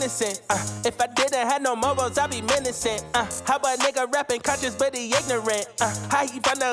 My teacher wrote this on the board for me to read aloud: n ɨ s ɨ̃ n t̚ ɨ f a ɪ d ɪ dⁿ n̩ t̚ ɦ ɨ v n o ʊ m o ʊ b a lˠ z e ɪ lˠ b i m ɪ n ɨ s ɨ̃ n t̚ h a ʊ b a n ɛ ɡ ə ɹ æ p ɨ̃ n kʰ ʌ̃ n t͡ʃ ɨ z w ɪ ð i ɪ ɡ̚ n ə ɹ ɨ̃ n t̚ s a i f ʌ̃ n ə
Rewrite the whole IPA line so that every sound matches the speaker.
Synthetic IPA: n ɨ s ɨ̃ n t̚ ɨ f a ɪ d ɪ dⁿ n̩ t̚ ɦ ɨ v n o ʊ m o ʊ b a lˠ z a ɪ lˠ b i m ɪ n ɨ s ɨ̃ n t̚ h a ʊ b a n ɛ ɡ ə ɹ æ p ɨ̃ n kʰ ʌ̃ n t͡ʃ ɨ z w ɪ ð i ɪ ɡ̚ n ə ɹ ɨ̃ n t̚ h a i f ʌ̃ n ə